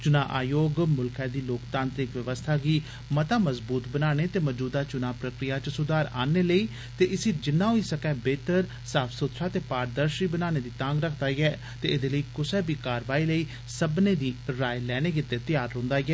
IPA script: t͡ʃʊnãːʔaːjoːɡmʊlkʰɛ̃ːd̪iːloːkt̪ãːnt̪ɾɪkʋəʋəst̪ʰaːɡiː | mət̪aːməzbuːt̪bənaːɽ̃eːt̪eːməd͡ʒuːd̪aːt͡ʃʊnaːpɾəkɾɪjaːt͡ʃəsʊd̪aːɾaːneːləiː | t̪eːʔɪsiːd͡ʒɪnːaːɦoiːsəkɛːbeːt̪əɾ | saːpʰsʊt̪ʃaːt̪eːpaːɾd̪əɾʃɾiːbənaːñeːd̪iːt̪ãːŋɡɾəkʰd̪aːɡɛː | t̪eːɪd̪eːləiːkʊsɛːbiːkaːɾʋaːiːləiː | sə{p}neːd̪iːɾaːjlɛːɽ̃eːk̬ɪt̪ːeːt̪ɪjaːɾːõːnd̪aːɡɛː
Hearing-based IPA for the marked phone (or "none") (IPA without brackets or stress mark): b